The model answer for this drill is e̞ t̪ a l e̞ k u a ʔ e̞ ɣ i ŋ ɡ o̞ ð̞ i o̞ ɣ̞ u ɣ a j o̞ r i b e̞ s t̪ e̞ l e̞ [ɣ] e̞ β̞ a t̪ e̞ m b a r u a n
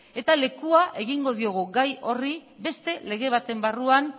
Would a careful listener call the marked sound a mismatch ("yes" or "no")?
no